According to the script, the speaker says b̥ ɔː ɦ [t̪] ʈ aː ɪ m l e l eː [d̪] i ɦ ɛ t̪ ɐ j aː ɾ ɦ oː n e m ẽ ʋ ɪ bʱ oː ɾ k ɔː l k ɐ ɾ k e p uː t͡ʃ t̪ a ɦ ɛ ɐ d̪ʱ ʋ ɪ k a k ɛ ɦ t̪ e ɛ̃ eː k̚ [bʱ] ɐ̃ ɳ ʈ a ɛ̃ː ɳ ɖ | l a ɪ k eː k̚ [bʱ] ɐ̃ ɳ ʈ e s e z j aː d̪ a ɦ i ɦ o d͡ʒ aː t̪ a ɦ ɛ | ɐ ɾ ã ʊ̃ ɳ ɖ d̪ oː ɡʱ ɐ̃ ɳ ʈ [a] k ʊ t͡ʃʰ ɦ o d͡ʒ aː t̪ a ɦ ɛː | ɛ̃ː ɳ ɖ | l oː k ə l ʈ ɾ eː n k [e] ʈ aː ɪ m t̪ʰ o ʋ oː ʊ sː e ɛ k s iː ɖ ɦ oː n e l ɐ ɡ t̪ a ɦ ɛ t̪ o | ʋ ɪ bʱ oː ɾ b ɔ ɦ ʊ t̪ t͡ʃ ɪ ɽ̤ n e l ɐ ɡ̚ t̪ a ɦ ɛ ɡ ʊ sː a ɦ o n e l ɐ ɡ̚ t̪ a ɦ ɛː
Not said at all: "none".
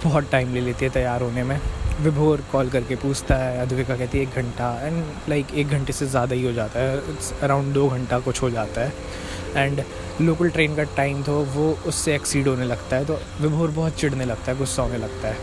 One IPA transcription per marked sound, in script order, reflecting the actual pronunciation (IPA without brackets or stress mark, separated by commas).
t̪, t̪, ɡʱ, ɡʱ, a, a